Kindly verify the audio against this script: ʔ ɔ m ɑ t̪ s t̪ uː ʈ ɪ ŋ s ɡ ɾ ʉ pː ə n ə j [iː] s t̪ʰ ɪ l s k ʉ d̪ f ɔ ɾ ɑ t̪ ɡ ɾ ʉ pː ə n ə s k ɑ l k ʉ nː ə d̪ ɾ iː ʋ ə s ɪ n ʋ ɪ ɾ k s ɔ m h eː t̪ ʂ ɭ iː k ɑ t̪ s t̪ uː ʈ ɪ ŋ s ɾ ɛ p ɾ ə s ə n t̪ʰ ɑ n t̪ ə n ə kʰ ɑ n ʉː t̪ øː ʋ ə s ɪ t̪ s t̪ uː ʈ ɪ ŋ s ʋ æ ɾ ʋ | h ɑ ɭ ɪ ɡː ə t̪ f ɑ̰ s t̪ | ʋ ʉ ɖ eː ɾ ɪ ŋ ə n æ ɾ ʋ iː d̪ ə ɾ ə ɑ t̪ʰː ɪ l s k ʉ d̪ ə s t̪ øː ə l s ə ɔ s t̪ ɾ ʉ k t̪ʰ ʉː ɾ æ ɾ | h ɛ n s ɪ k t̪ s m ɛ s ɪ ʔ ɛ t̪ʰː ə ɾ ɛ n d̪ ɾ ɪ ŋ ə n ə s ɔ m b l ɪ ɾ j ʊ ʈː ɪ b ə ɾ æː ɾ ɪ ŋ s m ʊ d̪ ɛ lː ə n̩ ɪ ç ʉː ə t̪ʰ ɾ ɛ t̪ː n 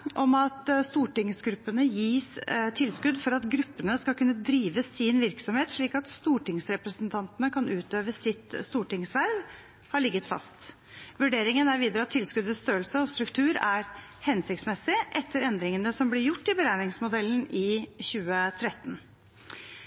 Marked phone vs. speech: correct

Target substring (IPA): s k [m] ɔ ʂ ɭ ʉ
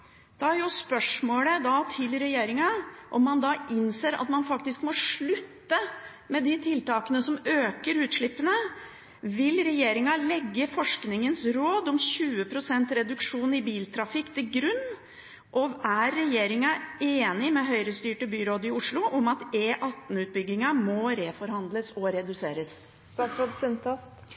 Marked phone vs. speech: correct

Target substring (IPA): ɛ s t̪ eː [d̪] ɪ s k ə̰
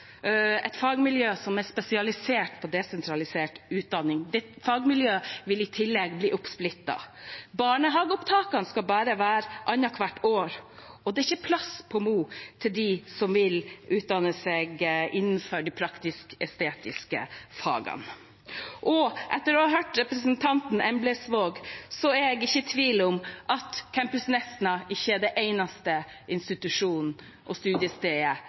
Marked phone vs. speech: incorrect: t̪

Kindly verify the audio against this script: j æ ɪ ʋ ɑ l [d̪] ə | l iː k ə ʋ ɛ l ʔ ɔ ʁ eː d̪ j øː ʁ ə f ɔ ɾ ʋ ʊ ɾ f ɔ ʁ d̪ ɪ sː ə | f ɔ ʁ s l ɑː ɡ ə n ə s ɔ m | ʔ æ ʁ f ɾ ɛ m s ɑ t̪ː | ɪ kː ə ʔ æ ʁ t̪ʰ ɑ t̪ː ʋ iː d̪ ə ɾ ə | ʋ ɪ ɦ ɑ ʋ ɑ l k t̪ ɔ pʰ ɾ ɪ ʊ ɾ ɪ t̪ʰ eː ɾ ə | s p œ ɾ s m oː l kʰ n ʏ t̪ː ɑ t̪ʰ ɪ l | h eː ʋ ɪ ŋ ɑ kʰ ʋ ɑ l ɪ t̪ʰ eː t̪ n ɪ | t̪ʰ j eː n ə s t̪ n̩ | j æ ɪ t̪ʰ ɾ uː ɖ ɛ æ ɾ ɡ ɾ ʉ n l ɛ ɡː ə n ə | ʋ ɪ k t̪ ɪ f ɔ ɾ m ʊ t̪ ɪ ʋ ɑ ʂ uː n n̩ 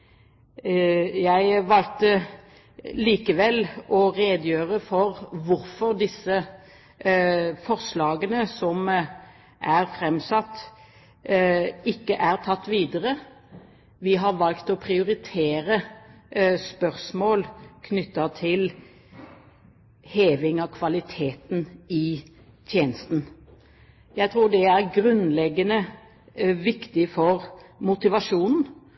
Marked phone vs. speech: incorrect: t̪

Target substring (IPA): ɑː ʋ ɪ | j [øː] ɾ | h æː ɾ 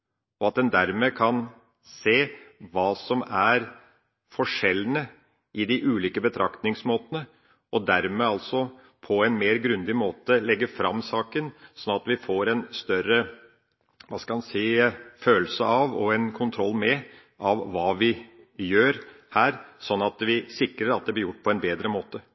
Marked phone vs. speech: correct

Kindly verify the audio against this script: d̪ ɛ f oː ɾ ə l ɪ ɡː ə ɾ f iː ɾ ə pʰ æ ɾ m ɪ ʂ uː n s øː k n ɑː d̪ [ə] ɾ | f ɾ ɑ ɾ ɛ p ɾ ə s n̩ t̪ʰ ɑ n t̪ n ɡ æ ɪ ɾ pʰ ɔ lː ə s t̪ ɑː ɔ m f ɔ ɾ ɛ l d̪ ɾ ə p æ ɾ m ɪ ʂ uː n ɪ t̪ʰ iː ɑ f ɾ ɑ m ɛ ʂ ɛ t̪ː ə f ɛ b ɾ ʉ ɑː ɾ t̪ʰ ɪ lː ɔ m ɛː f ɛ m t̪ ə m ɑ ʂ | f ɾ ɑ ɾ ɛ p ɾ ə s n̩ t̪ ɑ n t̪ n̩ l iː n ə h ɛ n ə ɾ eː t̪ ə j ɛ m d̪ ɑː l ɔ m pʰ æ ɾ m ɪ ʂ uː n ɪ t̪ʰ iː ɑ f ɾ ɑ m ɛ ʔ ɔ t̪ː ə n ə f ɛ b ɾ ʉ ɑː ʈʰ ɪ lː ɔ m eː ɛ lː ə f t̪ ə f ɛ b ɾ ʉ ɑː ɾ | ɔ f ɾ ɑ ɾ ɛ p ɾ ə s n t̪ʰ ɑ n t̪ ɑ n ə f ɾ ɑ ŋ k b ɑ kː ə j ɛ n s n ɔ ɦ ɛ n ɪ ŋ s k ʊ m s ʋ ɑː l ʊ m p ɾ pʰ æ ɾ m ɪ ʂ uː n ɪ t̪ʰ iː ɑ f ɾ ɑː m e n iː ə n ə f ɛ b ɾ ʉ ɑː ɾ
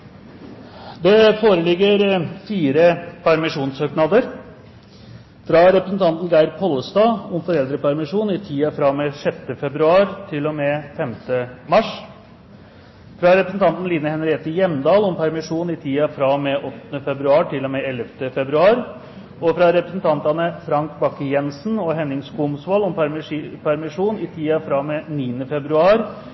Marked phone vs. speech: correct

